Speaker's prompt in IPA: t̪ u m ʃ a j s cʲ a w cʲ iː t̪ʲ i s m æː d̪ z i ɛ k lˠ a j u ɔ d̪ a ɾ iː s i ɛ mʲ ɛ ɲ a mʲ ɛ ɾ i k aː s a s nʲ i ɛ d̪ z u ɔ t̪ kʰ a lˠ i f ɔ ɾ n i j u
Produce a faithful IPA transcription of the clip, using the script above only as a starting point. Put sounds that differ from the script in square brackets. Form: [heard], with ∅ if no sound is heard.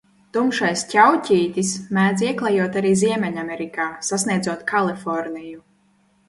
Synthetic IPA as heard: t̪ u m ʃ a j s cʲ a w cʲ iː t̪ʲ i s m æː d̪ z i ɛ k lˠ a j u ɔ [t̪] a ɾ iː [z] i ɛ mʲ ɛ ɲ a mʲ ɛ ɾ i k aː s a s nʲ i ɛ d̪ z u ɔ t̪ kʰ a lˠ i f ɔ ɾ n i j u